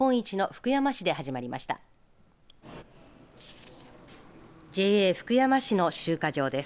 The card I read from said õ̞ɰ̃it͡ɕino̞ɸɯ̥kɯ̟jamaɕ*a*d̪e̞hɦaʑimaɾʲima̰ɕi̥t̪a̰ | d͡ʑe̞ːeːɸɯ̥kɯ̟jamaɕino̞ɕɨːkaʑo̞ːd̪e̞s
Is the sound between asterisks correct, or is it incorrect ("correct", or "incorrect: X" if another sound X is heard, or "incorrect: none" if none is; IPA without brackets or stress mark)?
incorrect: i